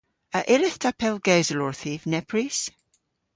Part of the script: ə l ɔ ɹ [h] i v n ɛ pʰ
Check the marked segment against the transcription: incorrect: θ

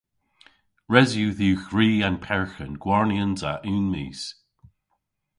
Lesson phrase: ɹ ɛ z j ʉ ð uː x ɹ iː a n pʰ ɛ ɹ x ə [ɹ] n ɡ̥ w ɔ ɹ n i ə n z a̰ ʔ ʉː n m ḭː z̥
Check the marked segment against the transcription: incorrect: none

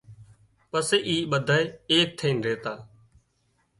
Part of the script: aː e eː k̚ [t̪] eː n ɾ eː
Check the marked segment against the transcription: incorrect: t̪ʰ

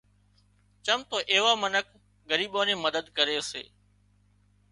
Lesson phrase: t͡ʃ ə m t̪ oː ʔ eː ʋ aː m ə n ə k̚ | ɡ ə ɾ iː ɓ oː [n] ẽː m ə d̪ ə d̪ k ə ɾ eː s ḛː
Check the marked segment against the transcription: correct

